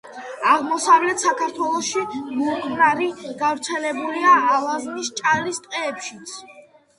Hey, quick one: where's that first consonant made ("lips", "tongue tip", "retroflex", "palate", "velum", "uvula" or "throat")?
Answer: uvula